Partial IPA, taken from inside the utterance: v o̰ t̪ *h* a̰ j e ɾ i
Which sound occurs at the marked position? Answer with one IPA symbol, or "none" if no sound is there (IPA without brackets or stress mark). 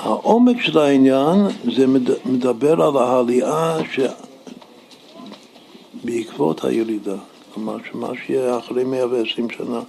h